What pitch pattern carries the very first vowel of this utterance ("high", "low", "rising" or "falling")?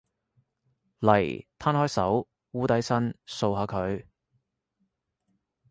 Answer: low